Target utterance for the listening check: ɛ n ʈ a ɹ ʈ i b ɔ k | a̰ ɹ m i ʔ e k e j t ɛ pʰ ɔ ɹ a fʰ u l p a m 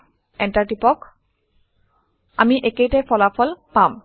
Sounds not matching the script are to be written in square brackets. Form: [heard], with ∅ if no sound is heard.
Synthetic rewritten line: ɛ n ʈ a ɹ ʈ i [p] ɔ k | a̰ [∅] m i ʔ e k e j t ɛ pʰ ɔ [l] a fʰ [ɔ] l p a m